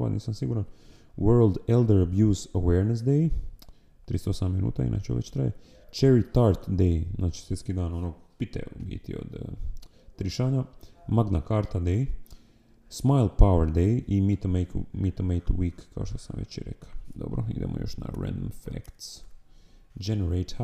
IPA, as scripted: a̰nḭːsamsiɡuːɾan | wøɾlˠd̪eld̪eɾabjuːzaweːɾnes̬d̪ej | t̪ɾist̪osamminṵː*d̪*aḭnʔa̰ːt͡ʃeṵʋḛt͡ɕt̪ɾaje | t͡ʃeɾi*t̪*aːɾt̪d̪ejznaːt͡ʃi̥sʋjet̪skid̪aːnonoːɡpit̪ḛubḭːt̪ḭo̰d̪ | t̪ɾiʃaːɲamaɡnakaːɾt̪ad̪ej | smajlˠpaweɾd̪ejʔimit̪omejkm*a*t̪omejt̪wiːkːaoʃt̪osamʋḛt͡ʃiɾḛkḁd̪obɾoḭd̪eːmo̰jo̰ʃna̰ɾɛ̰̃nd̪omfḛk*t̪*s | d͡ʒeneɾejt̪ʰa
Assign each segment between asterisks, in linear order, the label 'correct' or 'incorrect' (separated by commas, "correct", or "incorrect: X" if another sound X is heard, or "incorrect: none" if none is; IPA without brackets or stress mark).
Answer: incorrect: t̪, correct, incorrect: i, correct